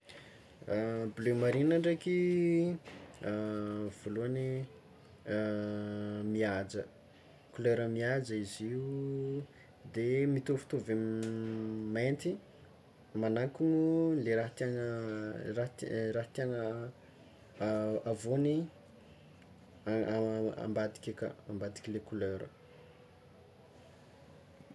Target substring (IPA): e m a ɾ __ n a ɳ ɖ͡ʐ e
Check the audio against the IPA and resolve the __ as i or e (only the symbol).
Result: i